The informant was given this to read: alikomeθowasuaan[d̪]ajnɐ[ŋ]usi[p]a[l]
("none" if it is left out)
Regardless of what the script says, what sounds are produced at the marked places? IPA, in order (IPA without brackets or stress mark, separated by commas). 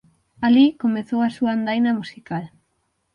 d̪, m, k, l